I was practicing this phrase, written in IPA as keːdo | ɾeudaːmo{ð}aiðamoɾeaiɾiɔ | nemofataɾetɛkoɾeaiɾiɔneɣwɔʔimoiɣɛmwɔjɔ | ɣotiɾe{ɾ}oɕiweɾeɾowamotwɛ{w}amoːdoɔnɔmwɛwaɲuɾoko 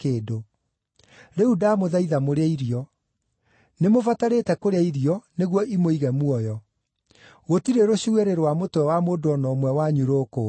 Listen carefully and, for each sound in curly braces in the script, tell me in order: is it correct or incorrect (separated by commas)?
correct, correct, correct